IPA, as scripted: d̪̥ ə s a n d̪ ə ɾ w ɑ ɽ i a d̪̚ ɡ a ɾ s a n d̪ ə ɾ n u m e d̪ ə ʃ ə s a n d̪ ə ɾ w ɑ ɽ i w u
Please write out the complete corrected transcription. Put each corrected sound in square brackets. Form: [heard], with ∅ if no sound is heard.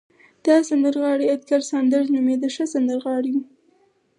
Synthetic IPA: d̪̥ [ɑ] s a n d̪ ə ɾ [ɣ] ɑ ɽ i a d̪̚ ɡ a ɾ s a n d̪ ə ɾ n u m e d̪ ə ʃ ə s a n d̪ ə ɾ [ɣ] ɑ ɽ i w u